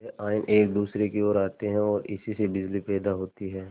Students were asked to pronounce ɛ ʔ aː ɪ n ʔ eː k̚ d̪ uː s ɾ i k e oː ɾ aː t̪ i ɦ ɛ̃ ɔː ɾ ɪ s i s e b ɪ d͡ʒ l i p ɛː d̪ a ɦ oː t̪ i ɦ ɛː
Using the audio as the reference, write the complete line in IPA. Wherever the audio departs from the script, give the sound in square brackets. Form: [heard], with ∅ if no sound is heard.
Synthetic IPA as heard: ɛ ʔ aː ɪ n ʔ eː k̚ d̪ uː s ɾ [e] k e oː ɾ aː t̪ [e] ɦ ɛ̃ ɔː ɾ ɪ s i s e b ɪ d͡ʒ l i p ɛː d̪ a ɦ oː t̪ i ɦ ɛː